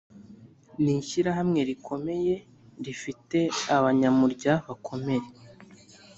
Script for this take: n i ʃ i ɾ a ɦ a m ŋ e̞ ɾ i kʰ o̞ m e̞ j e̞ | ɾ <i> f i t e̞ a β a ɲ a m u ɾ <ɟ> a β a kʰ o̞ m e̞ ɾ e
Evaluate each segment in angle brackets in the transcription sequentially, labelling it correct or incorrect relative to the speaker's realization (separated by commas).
correct, correct